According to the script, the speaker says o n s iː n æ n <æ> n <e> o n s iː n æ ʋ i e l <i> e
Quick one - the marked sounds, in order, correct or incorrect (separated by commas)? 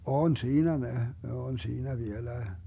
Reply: incorrect, correct, incorrect